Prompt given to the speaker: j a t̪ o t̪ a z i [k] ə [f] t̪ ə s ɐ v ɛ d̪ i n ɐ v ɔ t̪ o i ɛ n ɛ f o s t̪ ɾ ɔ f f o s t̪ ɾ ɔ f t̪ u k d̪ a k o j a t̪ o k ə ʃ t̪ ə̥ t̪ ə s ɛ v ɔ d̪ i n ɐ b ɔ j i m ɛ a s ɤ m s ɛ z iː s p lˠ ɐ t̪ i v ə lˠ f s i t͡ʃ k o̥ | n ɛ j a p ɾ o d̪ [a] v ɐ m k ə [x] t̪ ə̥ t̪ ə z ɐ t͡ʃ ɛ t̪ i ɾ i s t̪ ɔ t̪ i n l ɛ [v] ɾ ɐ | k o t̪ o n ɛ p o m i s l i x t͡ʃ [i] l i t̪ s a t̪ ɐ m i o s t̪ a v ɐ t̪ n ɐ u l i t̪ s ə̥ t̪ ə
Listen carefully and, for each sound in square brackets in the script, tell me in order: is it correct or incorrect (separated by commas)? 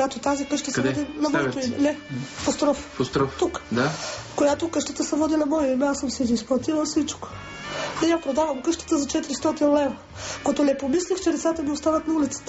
correct, incorrect, correct, incorrect, correct, incorrect